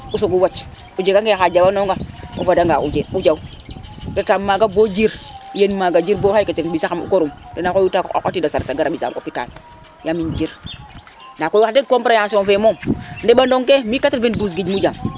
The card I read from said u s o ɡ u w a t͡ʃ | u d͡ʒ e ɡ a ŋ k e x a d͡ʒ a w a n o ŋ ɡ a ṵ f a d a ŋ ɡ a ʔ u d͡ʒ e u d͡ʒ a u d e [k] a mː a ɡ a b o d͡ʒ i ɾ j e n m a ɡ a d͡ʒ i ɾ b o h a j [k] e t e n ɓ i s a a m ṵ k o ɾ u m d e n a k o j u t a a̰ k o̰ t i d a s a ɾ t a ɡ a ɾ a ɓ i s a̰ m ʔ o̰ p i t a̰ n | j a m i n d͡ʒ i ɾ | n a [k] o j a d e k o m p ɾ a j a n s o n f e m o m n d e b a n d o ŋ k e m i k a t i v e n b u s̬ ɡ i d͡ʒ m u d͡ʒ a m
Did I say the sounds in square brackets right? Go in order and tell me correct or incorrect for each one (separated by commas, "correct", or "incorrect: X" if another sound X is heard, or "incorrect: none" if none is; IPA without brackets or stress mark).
incorrect: t, correct, correct